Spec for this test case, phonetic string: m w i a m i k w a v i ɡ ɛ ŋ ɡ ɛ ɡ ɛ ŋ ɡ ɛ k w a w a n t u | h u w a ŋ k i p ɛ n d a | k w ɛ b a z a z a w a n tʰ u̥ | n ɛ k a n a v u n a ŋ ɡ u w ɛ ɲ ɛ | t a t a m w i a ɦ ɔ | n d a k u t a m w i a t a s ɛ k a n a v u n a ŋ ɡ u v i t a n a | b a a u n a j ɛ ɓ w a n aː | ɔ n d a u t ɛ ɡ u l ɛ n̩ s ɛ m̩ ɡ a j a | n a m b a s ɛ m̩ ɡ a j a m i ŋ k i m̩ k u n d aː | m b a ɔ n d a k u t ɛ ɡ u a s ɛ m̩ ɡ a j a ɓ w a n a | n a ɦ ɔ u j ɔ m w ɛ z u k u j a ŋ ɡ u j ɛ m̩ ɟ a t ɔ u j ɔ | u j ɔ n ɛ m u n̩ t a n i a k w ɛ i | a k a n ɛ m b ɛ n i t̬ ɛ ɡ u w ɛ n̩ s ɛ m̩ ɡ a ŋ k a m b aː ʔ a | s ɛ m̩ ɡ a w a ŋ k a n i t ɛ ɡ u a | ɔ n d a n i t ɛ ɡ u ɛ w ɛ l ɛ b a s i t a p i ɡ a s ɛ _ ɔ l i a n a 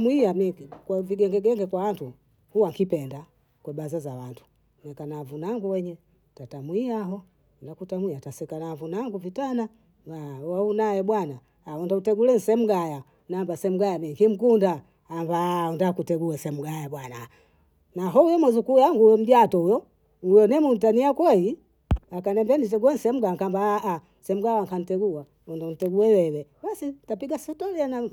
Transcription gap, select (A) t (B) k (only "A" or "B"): A